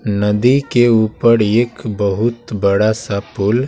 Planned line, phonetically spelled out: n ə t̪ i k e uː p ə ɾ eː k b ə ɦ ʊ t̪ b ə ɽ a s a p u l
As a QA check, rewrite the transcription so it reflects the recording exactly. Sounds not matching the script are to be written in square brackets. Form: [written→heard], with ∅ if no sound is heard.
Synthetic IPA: n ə [t̪→d̪] i k e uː p ə ɾ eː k b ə ɦ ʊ t̪ b ə ɽ a s a p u l

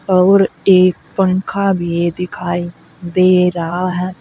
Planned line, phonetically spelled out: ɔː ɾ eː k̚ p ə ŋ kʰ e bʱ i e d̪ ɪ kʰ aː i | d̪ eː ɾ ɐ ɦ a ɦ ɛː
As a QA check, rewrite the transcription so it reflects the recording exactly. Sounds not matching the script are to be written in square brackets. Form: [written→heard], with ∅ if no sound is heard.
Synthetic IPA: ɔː ɾ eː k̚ p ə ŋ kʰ [e→a] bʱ i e d̪ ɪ kʰ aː i | d̪ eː ɾ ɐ ɦ a ɦ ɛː

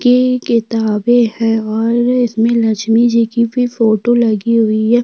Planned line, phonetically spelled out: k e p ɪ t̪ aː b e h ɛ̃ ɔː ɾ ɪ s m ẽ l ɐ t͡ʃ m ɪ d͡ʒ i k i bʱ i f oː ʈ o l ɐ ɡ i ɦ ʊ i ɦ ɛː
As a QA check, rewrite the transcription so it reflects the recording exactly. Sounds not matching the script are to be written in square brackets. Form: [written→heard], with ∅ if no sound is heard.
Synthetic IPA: k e [p→k] ɪ t̪ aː b e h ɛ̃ ɔː ɾ ɪ s m ẽ l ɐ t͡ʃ m [ɪ→i] d͡ʒ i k i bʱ i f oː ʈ o l ɐ ɡ i ɦ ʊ i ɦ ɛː

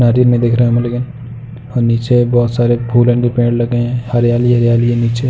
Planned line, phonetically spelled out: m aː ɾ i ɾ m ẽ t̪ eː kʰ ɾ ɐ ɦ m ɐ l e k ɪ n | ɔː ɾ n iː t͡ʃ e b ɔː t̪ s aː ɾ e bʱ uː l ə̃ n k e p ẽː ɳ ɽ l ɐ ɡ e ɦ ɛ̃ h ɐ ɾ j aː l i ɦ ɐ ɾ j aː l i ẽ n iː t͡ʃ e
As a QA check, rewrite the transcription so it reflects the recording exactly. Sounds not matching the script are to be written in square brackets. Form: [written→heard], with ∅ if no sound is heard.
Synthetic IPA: [m→n] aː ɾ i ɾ m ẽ [t̪→d̪] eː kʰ ɾ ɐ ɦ m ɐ l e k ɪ n | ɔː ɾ n iː t͡ʃ e b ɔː t̪ s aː ɾ e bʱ uː l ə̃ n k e p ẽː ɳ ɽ l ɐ ɡ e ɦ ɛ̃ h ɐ ɾ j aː l i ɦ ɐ ɾ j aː l i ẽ n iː t͡ʃ e

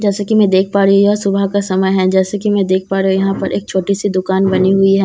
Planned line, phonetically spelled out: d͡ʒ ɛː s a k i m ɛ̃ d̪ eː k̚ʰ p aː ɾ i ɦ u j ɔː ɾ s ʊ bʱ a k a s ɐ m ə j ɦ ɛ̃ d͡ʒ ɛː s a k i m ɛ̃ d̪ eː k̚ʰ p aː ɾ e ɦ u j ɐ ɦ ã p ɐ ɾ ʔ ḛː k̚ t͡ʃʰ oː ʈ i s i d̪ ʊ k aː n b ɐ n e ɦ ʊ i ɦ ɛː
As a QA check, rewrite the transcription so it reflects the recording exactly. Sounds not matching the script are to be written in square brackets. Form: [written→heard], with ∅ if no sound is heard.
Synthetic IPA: d͡ʒ ɛː s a k i m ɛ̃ d̪ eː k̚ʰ p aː ɾ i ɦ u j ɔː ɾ s ʊ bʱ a k a s ɐ m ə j ɦ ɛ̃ d͡ʒ ɛː s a k i m ɛ̃ d̪ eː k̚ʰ p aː ɾ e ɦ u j ɐ ɦ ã p ɐ ɾ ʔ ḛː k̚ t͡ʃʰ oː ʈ i s i d̪ ʊ k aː n b ɐ n [e→i] ɦ ʊ i ɦ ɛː

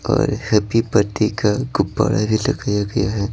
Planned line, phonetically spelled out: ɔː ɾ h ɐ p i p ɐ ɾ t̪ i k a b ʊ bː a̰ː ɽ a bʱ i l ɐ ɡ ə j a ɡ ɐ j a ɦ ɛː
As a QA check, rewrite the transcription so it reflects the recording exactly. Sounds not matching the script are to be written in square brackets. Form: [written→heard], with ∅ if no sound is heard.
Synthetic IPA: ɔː ɾ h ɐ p i p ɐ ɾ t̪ i k a [b→ɡ] ʊ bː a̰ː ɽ a bʱ i l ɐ ɡ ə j a ɡ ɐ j a ɦ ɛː

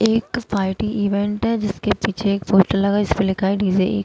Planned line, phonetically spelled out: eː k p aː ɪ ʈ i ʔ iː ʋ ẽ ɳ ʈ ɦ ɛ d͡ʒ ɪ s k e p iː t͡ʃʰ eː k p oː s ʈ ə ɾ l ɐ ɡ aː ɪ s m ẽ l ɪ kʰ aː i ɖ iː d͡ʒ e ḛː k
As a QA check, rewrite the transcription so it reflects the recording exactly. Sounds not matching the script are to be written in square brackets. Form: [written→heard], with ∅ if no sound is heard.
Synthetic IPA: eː k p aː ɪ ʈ i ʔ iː ʋ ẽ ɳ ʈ ɦ ɛ d͡ʒ ɪ s k e p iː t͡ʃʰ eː k p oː s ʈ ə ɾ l ɐ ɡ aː ɪ s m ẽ l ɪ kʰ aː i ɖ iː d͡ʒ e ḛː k

